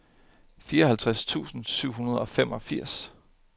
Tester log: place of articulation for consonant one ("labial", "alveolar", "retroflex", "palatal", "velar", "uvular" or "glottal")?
labial